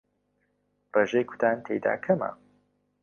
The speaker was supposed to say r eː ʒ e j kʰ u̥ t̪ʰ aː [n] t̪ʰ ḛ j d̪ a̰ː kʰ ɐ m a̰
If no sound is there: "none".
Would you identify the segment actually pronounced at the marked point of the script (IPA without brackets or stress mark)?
n